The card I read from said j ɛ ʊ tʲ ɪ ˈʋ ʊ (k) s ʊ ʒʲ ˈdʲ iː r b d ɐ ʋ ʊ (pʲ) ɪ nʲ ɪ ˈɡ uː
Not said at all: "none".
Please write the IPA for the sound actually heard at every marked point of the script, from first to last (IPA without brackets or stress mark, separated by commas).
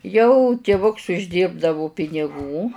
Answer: k, pʲ